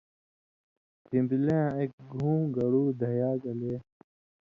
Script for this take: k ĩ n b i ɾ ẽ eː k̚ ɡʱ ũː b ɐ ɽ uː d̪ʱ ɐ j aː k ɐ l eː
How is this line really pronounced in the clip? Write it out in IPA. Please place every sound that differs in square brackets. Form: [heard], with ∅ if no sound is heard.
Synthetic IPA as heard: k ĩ [m] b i [l] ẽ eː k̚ ɡʱ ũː [ɡ] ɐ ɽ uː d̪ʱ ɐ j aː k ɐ l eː